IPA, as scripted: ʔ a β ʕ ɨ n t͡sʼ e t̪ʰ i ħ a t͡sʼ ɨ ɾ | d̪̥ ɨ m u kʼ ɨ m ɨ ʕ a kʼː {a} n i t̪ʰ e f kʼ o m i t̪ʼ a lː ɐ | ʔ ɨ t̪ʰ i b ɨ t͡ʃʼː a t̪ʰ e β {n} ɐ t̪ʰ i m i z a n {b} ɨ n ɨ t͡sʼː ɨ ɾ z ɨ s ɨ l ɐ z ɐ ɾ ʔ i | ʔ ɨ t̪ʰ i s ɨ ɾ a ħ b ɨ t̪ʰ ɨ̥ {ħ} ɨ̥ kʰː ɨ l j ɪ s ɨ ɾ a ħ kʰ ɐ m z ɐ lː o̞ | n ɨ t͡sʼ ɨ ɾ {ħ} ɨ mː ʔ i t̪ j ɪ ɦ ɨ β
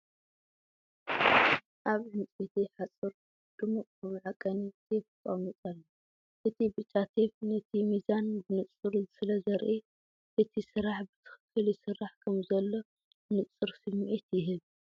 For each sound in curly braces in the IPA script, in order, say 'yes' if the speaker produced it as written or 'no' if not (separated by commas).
no, yes, yes, no, no